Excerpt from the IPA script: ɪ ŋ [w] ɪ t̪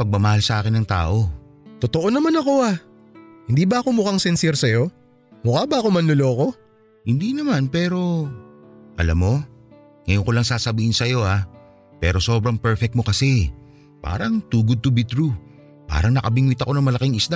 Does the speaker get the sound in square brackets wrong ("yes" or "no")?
no